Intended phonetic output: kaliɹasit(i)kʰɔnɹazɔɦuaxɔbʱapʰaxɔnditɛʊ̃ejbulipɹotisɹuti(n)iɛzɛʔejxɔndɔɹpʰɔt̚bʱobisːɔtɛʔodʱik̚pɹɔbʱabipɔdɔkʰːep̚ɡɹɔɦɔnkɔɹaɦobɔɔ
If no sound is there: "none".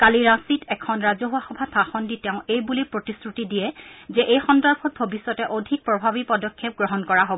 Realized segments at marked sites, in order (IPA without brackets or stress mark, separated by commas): ɛ, d